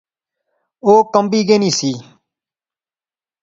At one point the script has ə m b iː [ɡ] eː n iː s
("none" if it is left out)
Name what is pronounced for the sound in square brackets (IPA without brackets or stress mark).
ɡ